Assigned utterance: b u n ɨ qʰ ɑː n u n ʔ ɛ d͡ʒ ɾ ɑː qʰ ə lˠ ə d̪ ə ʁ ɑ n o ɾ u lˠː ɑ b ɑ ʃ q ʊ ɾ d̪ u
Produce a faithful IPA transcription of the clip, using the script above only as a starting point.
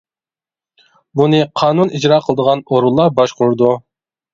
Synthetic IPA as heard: b u n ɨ qʰ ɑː n u n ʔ i d͡ʒ ɾ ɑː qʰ ə lˠ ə d̪ ə ʁ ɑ n o ɾ u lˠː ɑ b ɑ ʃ q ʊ ɾ d̪ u